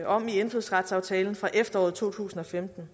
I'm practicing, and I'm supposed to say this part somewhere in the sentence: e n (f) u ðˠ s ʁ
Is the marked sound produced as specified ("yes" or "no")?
yes